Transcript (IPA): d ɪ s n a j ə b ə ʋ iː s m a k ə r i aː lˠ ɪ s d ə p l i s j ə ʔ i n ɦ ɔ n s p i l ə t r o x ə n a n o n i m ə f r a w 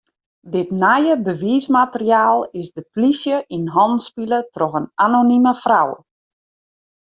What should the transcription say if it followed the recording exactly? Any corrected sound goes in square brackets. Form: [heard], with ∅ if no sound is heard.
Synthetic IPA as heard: d ɪ [t] n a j ə b ə ʋ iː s m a [t] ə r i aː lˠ ɪ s d ə p l i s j ə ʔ i n ɦ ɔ n s p i l ə t r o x ə n a n o n i m ə f r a w